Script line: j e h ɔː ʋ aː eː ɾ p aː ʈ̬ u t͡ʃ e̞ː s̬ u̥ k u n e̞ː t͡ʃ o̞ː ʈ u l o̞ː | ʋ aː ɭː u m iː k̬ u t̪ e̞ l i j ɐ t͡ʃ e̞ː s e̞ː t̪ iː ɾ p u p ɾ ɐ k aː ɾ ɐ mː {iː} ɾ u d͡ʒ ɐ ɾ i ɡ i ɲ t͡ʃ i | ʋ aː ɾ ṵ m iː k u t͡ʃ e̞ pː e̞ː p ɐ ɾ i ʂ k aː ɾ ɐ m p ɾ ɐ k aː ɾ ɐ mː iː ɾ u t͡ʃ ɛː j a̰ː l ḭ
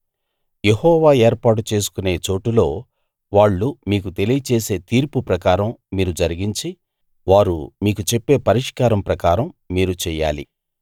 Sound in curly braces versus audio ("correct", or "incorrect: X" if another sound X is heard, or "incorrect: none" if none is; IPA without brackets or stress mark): correct